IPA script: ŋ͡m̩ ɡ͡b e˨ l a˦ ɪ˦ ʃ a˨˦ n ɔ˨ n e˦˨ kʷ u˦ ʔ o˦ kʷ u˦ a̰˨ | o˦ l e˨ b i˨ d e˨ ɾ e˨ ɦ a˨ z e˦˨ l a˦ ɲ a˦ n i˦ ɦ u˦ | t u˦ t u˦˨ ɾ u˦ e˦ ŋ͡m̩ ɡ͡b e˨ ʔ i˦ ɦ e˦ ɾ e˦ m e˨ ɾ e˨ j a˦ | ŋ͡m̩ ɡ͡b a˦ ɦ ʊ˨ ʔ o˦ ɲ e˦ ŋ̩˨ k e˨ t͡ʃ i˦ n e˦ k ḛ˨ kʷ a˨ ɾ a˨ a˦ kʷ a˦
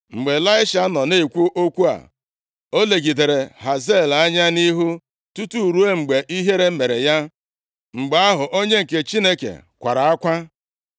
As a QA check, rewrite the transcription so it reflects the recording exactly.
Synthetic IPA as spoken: ŋ͡m̩ ɡ͡b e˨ l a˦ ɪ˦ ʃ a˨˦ n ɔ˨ n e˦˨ kʷ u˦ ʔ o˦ kʷ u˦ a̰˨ | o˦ l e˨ ɡ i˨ d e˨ ɾ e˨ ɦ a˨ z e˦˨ l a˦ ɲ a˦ n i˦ ɦ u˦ | t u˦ t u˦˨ ɾ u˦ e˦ ŋ͡m̩ ɡ͡b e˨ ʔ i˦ ɦ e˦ ɾ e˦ m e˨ ɾ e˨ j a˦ | ŋ͡m̩ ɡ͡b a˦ ɦ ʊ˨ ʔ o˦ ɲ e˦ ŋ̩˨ k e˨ t͡ʃ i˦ n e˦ k ḛ˨ kʷ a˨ ɾ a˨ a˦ kʷ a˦